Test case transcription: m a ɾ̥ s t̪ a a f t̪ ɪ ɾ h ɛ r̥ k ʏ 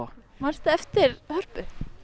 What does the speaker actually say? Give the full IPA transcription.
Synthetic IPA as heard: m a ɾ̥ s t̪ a ɛ f t̪ ɪ ɾ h œ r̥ p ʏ

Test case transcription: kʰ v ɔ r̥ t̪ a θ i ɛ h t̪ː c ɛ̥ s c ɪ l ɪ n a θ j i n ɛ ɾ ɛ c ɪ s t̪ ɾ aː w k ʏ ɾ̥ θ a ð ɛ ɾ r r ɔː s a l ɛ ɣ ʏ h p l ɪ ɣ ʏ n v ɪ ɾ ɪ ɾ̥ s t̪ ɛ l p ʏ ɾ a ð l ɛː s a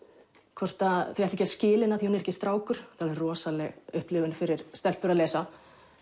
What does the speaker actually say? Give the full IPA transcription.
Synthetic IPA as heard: kʰ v ɔ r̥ t̪ a θ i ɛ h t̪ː c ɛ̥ s c ɪː l ɪ n a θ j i n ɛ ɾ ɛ c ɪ s t̪ ɾ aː w k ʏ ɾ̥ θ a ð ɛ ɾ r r ɔː s a l ɛ ɣ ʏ h p l ɪ v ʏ n f ɪ ɾ ɪ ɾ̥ s t̪ ɛ l p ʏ ɾ a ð l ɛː s a

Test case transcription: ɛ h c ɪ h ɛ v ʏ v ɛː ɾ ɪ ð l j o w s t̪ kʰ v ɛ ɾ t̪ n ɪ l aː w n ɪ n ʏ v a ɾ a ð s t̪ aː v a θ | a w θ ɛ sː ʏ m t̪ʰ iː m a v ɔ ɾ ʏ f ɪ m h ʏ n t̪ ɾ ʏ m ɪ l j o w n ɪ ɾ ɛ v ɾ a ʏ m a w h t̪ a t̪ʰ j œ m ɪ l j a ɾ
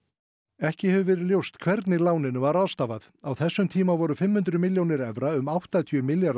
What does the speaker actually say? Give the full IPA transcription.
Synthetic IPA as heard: ɛ h c ɪ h ɛ v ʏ v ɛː ɾ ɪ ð l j o w s t̪ kʰ v ɛ ɾ t̪ n ɪ l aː w n ɪ n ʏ v a ɾ a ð s t̪ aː v a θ | a w θ ɛ sː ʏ m t̪ʰ iː m a v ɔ ɾ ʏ f ɪ m h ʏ n t̪ ɾ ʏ m ɪ l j o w n ɪ ɾ ɛ v ɾ a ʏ m a w h t̪ a t̪ʰ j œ m ɪ l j a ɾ

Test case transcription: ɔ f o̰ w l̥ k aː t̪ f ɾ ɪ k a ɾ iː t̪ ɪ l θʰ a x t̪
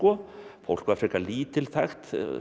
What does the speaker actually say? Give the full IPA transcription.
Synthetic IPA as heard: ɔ f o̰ w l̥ k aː f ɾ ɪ k a l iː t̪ ɪ l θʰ a x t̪

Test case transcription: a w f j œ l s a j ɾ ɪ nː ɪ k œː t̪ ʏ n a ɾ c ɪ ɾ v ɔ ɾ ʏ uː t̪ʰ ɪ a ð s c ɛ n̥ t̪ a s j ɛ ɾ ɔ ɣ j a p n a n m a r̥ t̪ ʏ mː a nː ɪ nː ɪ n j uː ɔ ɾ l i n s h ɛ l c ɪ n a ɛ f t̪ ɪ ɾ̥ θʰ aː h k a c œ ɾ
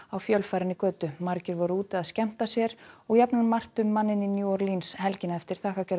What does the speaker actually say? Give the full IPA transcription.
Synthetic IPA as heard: a w f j œ l f a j ɾ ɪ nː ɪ k œː t̪ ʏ m a ɾ c ɪ ɾ v ɔ ɾ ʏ uː t̪ ɪ a ð s c ɛ m̥ t̪ a s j ɛ ɾ ɔ ɣ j a p n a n m a r̥ t̪ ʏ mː a nː ɪ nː ɪ n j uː ɔ ɾ l i n s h ɛ l c ɪ n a ɛ f t̪ ɪ ɾ̥ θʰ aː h k a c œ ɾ

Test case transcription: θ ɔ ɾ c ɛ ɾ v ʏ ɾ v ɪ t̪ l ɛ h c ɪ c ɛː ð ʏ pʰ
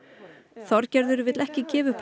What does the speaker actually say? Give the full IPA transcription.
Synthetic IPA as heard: θ ɔ ɾ c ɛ ɾ ð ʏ ɾ v ɪ t̪ l ɛ h c ɪ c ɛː v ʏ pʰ

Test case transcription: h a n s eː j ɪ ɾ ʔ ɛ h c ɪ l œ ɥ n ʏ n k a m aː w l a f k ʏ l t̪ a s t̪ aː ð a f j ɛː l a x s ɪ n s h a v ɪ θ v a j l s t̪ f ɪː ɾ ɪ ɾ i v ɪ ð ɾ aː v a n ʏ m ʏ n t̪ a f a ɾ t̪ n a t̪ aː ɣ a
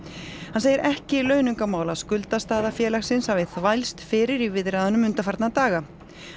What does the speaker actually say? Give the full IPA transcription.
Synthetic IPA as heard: h a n s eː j ɪ ɾ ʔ ɛ h c ɪ l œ ɥ n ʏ ŋ k a m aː w l a s k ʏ l t̪ a s t̪ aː ð a f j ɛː l a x s ɪ n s h a v ɪ θ v a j l s t̪ f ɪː ɾ ɪ ɾ i v ɪ ð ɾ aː ð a n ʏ m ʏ n t̪ a f a ɾ t̪ n a t̪ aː ɣ a

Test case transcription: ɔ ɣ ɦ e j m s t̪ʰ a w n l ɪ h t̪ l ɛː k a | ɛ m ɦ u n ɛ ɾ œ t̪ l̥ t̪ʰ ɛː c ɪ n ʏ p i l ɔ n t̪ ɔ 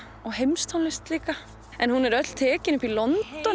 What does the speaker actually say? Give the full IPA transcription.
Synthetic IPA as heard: ɔ ɣ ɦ e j m s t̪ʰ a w n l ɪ s t̪ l iː k a | ɛ n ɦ u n ɛ ɾ œ t̪ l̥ t̪ʰ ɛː c ɪ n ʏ p i l ɔ n t̪ ɔ

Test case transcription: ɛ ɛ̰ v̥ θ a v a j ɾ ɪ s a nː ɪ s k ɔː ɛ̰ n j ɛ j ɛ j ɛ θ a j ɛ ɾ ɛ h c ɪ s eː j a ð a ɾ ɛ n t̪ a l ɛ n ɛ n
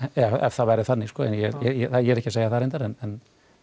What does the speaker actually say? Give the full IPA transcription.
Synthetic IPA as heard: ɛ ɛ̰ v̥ θ a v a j ɾ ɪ θ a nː ɪ s k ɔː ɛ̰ n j ɛ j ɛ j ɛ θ a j ɛ ɾ ɛ h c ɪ s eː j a θ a ɾ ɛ n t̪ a ɾ ɛ n ɛ n

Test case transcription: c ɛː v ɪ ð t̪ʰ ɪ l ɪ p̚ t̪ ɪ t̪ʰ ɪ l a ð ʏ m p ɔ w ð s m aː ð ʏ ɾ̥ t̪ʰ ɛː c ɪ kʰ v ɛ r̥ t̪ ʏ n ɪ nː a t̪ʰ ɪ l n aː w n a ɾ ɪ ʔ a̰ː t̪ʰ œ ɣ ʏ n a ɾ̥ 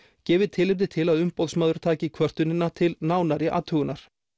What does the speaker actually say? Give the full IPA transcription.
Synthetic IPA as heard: c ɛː v ɪ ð t̪ʰ ɪ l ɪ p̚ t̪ ɪ t̪ʰ ɪ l a ð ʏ m p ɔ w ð s m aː ð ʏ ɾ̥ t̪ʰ aː c ɪ kʰ v œ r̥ t̪ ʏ n ɪ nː a t̪ʰ ɪ l n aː w n a ɾ ɪ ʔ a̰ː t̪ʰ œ ɣ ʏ n a ɾ̥

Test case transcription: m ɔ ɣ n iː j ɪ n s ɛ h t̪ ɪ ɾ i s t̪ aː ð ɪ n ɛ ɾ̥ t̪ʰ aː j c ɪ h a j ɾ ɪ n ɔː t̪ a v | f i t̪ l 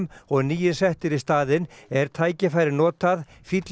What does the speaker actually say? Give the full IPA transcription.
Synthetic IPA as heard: m ɔ ɣ n iː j ɪ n s ɛ h t̪ ɪ ɾ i s t̪ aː ð ɪ n ɛ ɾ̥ t̪ʰ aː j c ɪ f a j ɾ ɪ n ɔː t̪ a ð | f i t̪ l

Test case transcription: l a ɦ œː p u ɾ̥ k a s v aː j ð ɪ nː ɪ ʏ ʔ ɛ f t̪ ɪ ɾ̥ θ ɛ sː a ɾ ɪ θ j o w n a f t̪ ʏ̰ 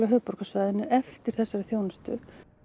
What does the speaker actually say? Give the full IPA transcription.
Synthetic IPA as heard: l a ɦ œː p ɔ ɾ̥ k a s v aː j ð ɪ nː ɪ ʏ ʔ ɛ f t̪ ɪ ɾ̥ θ ɛ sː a ɾ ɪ θ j o w n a s t̪ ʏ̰

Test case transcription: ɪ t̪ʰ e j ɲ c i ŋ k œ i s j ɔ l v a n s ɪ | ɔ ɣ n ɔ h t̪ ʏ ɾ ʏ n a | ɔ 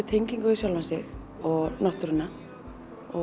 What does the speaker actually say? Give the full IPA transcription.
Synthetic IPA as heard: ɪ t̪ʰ e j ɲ c i ŋ k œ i s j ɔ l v a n s ɪ | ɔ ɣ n ɔ h t̪ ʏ ɾ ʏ n a | ɔ

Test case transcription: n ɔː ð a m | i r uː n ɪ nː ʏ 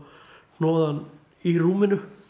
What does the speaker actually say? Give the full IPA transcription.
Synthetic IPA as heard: n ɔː ð a n | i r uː m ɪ n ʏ

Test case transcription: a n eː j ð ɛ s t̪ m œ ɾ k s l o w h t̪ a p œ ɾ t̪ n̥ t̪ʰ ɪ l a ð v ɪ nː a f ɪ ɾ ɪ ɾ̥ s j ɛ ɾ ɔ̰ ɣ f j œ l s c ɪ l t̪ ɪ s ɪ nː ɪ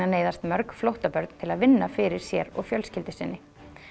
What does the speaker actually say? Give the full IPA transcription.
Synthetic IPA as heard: a n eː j ð a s t̪ m œ ɾ k f l o w h t̪ a p œ ɾ t̪ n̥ t̪ʰ ɪ l a ð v ɪ nː a f ɪ ɾ ɪ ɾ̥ s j ɛ ɾ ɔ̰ ɣ f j œ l s c ɪ l t̪ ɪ s ɪ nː ɪ

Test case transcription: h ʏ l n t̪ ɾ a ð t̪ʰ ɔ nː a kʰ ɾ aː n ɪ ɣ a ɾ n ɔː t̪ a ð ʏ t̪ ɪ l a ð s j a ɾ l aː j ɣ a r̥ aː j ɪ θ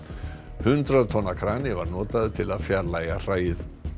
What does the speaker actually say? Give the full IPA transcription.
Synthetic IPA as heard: h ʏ n t̪ ɾ a ð t̪ʰ ɔ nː a kʰ ɾ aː n ɪ v a ɾ n ɔː t̪ a ð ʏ t̪ʰ ɪ l a ð f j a ɾ l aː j ɣ a r̥ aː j ɪ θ

